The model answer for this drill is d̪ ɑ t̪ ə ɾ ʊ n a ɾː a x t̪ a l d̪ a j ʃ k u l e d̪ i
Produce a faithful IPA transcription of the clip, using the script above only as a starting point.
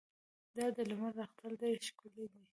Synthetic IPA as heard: d̪ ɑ d̪ ə l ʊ m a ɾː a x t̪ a l d̪ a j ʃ k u l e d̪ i